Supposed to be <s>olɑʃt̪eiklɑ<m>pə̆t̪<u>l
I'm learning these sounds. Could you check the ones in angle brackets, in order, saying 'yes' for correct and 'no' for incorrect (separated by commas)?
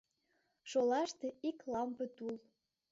no, yes, yes